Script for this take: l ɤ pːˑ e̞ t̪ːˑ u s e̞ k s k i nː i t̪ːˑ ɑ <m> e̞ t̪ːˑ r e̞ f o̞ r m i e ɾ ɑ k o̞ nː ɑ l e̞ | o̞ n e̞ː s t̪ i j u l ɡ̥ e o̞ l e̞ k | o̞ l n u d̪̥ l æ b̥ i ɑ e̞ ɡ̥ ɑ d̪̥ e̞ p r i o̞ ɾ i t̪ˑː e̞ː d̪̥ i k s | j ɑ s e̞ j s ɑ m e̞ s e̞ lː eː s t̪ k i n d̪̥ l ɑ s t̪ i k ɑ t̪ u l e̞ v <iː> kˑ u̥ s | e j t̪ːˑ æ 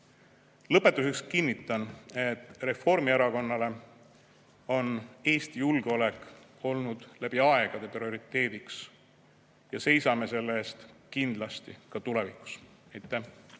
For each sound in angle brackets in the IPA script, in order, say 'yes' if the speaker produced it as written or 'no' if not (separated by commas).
no, no